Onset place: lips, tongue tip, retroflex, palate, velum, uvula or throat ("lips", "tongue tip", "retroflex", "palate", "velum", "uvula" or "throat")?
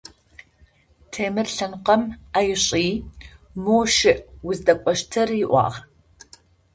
tongue tip